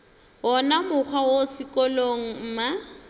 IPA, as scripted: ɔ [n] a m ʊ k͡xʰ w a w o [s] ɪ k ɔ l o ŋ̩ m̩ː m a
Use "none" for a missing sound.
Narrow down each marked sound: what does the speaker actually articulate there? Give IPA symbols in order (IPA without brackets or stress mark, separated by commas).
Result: n, s